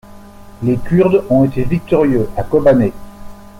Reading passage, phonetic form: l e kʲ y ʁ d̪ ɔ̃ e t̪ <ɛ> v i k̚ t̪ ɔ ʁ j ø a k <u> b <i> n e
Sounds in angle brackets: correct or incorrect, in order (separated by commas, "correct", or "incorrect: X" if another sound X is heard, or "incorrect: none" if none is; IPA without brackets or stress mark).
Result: incorrect: e, incorrect: ɔ, incorrect: a